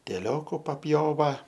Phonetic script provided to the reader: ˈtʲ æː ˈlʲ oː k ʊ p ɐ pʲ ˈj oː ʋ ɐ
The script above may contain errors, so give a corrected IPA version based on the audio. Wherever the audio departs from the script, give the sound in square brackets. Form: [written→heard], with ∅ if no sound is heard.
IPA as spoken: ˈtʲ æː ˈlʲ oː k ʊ p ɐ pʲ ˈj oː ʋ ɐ

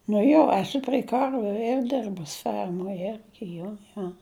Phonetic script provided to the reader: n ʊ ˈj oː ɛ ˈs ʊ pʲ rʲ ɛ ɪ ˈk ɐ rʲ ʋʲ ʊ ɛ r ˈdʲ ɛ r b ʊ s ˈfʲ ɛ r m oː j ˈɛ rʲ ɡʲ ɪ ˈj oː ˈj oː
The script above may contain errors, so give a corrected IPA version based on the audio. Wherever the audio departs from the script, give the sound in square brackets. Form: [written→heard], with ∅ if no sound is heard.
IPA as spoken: n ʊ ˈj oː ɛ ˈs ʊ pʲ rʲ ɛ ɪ ˈk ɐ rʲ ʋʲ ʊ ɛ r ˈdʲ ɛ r b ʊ s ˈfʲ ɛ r m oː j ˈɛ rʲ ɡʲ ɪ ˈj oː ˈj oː

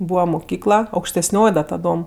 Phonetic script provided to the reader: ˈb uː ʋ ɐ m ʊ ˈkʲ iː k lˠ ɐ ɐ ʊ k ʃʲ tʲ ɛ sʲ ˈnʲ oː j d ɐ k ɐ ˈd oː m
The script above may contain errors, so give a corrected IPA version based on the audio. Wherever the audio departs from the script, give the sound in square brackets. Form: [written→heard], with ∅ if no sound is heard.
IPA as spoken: ˈb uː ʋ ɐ m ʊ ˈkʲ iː k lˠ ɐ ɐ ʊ k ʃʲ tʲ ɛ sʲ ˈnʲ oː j d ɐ [k→t] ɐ ˈd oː m

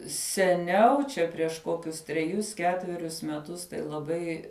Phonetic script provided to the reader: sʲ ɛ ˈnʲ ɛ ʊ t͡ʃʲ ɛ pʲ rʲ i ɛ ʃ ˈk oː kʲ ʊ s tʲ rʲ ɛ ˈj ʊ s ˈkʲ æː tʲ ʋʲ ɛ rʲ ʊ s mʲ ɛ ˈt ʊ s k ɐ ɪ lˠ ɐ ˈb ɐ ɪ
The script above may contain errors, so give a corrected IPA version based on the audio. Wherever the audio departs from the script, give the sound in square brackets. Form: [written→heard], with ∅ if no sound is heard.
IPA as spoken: sʲ ɛ ˈnʲ ɛ ʊ t͡ʃʲ ɛ pʲ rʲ i ɛ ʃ ˈk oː kʲ ʊ s tʲ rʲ ɛ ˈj ʊ s ˈkʲ æː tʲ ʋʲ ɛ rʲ ʊ s mʲ ɛ ˈt ʊ s [k→t] ɐ ɪ lˠ ɐ ˈb ɐ ɪ

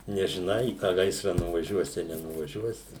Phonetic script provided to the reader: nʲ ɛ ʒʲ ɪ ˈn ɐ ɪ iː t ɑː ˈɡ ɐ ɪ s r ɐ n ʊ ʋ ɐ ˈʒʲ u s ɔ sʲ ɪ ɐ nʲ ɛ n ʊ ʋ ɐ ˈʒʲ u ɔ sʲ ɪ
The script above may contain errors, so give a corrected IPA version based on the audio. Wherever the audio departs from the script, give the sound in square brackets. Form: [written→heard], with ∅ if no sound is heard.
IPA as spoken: nʲ ɛ ʒʲ ɪ ˈn ɐ ɪ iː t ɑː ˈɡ ɐ ɪ s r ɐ n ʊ ʋ ɐ ˈʒʲ u [s→∅] ɔ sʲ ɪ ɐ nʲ ɛ n ʊ ʋ ɐ ˈʒʲ u ɔ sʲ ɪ

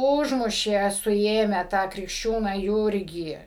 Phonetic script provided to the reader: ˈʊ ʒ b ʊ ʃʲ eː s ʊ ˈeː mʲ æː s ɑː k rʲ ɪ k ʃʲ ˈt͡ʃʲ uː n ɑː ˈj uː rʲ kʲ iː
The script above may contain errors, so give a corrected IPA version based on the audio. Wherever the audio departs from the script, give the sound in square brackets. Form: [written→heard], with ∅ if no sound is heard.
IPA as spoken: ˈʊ ʒ [b→m] ʊ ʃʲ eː s ʊ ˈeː mʲ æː [s→t] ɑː k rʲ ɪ k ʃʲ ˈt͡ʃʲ uː n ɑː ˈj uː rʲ [kʲ→ɡʲ] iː

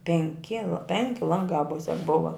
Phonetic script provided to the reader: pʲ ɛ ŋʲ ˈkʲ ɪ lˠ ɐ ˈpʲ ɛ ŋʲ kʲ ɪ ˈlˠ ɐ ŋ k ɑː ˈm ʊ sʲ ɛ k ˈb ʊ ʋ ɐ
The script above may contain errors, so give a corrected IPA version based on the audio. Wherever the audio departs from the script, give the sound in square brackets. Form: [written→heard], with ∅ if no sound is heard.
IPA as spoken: pʲ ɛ ŋʲ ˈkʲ ɪ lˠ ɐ ˈpʲ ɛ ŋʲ kʲ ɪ ˈlˠ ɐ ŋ [k→ɡ] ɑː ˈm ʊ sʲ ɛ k ˈb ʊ ʋ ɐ

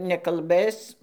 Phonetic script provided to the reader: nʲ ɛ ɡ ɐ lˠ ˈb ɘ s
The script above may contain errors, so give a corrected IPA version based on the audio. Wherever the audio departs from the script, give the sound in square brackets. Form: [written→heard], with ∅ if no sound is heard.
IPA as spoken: nʲ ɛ [ɡ→k] ɐ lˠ ˈb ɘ s

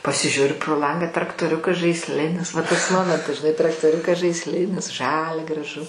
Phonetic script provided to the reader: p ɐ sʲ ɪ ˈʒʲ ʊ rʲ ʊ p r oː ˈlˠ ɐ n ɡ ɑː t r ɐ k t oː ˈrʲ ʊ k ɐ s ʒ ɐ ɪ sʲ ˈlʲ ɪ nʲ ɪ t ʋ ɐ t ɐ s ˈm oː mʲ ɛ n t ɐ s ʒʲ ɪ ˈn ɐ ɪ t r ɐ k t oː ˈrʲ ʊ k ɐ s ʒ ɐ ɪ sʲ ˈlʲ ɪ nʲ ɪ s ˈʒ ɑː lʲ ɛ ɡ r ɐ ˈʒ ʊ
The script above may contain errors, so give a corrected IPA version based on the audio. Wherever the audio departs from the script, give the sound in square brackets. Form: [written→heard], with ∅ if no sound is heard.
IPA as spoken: p ɐ sʲ ɪ ˈʒʲ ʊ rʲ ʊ p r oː ˈlˠ ɐ [n→ŋ] ɡ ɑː t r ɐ k t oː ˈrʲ ʊ k ɐ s ʒ ɐ ɪ sʲ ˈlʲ ɪ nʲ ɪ [t→s] ʋ ɐ t ɐ s ˈm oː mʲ ɛ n t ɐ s ʒʲ ɪ ˈn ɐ ɪ t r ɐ k t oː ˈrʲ ʊ k ɐ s ʒ ɐ ɪ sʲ ˈlʲ ɪ nʲ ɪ s ˈʒ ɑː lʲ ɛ ɡ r ɐ ˈʒ ʊ

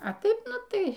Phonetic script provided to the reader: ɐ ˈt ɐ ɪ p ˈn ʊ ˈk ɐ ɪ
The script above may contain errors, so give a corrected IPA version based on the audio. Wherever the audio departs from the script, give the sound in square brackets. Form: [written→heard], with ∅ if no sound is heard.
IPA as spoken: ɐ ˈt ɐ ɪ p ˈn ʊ [ˈk→ˈt] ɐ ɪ

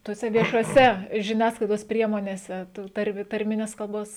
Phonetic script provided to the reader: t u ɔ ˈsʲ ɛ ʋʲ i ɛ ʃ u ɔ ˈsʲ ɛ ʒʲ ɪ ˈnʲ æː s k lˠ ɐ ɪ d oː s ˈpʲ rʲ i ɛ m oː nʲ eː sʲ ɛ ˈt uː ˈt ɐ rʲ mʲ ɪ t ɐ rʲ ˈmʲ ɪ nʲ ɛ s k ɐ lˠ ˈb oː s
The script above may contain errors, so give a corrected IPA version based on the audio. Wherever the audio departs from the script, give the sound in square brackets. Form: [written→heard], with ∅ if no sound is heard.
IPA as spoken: t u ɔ ˈsʲ ɛ ʋʲ i ɛ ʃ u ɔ ˈsʲ ɛ ʒʲ ɪ ˈnʲ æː s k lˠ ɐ ɪ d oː s ˈpʲ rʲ i ɛ m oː nʲ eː sʲ ɛ ˈt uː ˈt ɐ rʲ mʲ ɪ t ɐ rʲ ˈmʲ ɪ nʲ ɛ s k ɐ lˠ ˈb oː s

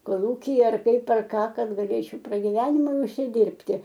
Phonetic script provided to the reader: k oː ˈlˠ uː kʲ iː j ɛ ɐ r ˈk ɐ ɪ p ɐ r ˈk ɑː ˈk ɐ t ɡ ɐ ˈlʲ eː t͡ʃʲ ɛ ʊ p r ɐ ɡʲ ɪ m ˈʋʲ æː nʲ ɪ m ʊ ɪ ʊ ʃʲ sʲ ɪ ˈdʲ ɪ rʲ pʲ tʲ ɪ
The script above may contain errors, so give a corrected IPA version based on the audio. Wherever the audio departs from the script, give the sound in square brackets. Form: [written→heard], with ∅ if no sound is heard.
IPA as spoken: k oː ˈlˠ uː kʲ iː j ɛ ɐ r ˈk ɐ ɪ p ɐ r ˈk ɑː ˈk ɐ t ɡ ɐ ˈlʲ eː t͡ʃʲ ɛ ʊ p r ɐ ɡʲ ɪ [m→∅] ˈʋʲ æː nʲ ɪ m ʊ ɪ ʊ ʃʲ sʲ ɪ ˈdʲ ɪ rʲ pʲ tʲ ɪ

